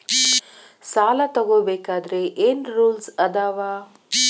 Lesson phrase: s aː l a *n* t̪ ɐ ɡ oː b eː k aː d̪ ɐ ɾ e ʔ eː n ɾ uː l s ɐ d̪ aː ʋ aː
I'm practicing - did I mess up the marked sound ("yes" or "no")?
yes